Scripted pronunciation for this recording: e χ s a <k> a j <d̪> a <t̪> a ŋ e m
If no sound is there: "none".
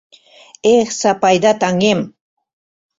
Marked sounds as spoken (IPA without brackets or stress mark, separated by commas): p, d̪, t̪